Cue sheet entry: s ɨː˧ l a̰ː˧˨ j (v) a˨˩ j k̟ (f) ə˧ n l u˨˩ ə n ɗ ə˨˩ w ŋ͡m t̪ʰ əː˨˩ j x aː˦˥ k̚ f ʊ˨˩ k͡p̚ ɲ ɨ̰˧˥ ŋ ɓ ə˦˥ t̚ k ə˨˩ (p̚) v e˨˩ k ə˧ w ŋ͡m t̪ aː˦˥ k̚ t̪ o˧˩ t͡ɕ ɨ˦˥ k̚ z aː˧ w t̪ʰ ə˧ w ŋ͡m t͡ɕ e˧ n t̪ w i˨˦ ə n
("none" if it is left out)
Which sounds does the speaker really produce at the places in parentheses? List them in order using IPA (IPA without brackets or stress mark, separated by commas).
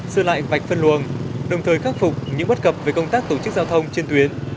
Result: v, f, p̚